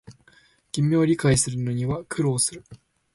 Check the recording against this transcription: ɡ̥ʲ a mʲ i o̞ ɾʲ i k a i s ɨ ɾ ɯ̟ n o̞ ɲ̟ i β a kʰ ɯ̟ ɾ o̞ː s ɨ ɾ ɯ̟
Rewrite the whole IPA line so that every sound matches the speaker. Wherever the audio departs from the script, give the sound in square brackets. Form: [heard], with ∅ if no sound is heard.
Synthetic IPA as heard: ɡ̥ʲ [i] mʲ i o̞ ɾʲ i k a i s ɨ ɾ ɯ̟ n o̞ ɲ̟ i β a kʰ ɯ̟ ɾ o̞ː s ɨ ɾ ɯ̟